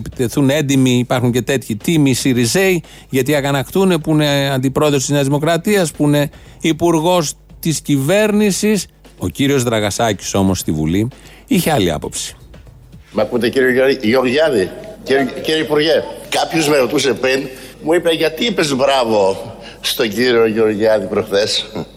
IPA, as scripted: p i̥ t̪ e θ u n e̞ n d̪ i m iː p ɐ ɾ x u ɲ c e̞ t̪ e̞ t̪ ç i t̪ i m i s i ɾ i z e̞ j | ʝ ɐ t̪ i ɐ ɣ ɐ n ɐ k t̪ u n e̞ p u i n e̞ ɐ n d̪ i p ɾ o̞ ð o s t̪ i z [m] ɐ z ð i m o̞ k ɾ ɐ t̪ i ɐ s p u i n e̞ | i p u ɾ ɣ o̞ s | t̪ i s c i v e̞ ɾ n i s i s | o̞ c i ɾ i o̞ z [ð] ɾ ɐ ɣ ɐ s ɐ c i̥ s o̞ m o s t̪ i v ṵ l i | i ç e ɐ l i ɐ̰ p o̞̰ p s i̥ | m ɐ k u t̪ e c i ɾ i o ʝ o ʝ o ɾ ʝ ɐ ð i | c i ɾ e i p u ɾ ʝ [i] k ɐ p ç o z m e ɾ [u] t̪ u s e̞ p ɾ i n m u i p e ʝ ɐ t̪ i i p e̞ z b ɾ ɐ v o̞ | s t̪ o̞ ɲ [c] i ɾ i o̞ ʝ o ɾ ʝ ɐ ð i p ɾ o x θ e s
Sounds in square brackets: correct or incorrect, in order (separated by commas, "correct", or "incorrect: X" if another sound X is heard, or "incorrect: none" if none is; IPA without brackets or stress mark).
incorrect: ɲ, correct, incorrect: e, incorrect: o, incorrect: ɟ